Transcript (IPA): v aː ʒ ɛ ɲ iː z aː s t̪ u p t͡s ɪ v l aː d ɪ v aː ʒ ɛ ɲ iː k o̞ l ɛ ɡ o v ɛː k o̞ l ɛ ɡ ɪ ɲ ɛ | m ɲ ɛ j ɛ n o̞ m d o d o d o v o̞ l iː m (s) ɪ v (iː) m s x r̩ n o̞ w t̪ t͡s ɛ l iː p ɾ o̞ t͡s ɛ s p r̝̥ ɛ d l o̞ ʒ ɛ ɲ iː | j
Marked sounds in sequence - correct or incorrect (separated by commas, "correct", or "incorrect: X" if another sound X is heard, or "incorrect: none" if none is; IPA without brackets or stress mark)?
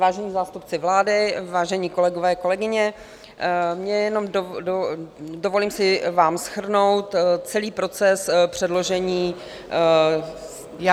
correct, incorrect: aː